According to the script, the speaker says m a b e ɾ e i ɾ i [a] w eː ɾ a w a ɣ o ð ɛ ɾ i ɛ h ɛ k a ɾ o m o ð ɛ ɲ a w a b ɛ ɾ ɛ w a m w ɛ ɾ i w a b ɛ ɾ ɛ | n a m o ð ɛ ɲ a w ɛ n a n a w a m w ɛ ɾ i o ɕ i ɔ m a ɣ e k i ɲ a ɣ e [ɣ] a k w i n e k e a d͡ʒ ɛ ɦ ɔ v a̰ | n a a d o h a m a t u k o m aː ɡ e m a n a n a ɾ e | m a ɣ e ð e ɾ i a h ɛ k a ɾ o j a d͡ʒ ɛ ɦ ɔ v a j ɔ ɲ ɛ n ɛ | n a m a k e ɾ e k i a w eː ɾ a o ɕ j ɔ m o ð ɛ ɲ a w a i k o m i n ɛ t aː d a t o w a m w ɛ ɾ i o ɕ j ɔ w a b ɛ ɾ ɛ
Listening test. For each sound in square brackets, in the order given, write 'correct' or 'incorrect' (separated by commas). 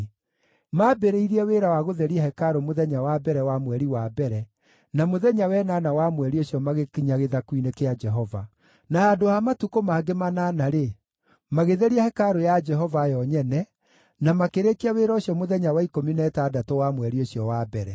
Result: incorrect, incorrect